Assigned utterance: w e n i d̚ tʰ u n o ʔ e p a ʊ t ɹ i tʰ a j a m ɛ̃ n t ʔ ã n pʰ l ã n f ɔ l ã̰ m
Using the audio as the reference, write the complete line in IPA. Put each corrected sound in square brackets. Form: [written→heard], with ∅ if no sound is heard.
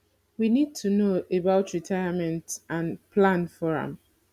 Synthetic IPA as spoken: w [e→i] n i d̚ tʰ u n o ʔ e [p→b] a ʊ t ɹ i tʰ a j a m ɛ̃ n t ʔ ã n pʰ l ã n f ɔ [l→ɹ] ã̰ m